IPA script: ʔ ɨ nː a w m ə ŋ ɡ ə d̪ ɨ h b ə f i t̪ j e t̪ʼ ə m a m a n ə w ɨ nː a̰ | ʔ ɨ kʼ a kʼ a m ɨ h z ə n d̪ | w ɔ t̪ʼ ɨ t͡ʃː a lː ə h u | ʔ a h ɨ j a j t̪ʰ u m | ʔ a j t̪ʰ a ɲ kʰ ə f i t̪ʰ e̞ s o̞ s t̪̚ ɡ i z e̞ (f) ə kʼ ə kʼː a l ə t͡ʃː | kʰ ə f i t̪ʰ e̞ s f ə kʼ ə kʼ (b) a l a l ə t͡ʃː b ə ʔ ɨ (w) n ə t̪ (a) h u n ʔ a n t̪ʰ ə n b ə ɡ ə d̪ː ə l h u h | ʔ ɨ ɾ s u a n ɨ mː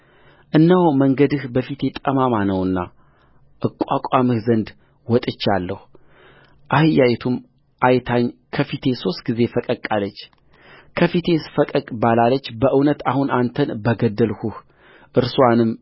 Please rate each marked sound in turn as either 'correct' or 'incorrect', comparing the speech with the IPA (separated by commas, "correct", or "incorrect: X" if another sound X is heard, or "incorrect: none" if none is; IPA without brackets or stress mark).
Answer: correct, correct, correct, correct